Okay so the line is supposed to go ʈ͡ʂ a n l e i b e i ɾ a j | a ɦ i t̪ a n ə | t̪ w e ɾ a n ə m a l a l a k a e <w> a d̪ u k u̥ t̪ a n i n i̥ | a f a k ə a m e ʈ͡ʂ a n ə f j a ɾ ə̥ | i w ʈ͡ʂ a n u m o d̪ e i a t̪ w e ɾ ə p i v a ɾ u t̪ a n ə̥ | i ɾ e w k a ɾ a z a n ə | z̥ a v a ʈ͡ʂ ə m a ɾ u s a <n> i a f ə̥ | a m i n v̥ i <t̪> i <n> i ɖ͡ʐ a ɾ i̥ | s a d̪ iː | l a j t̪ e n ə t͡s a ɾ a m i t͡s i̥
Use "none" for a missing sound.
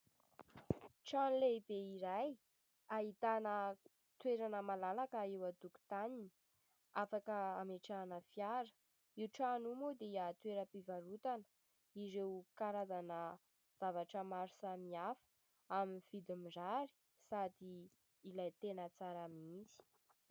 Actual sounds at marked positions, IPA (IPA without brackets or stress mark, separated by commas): w, m, d̪, m